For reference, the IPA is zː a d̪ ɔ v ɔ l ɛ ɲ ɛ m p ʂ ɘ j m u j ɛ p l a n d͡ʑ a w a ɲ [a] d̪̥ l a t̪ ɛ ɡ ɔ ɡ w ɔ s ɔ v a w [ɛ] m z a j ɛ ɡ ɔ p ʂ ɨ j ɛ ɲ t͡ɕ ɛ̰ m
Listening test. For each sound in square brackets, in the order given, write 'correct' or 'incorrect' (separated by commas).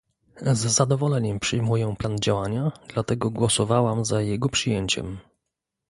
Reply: correct, incorrect